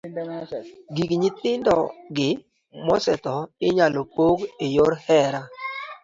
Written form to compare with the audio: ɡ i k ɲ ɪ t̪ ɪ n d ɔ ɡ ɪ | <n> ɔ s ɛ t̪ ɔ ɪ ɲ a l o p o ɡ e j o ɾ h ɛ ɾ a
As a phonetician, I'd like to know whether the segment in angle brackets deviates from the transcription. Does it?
yes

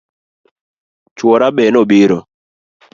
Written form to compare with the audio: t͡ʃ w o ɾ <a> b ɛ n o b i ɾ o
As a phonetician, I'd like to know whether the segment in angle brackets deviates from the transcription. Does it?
no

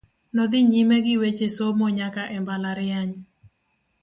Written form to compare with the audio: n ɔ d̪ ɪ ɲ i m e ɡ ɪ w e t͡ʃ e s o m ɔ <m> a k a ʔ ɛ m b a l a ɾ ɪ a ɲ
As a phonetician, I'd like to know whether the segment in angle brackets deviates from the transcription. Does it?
yes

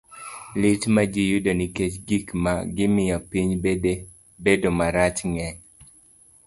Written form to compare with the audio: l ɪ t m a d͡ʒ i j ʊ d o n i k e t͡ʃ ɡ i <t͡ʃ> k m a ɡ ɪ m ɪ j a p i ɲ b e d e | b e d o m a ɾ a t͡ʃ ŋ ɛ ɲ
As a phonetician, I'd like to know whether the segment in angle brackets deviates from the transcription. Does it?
yes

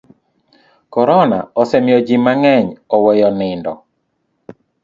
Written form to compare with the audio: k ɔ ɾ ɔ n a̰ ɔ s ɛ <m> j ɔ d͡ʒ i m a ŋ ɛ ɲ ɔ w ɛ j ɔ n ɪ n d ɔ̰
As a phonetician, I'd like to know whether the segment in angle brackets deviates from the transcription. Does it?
no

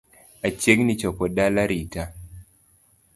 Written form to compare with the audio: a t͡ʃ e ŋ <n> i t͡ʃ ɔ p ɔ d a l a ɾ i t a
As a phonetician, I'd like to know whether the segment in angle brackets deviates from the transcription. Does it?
no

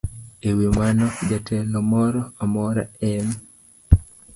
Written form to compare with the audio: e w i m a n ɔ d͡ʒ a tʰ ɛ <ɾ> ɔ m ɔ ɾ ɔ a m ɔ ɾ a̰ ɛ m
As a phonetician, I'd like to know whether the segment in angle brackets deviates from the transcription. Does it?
yes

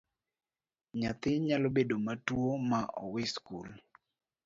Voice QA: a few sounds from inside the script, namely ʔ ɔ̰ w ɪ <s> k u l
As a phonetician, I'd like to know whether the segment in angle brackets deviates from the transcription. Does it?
no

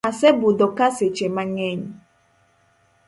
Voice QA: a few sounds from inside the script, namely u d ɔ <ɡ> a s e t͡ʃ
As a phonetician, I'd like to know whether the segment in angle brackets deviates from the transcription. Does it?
yes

